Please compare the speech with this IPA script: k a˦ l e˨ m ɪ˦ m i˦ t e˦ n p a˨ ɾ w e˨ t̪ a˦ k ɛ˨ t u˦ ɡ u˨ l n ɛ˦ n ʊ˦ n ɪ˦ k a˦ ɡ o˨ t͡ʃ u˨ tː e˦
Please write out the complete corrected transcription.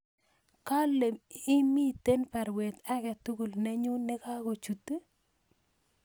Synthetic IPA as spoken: k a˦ l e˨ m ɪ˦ m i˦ t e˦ n p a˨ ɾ w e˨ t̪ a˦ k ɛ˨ t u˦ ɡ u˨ l n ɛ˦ ɲ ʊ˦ n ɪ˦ k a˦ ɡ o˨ t͡ʃ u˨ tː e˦